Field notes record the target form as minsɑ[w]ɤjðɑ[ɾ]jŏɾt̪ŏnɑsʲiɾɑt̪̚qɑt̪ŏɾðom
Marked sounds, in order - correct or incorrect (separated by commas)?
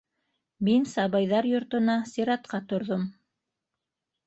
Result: incorrect, correct